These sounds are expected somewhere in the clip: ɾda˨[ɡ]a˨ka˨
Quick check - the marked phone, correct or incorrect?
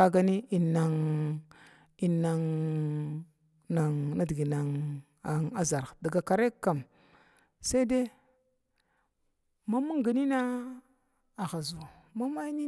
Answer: correct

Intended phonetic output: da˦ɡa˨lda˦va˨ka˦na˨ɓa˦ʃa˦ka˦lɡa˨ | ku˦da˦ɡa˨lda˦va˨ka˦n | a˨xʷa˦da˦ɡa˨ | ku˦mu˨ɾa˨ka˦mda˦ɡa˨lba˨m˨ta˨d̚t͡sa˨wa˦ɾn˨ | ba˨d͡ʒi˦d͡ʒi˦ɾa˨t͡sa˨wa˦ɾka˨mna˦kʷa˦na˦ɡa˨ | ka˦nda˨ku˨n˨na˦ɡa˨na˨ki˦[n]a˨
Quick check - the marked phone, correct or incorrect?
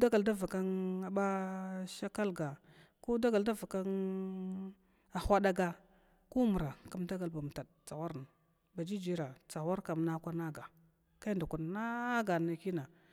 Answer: correct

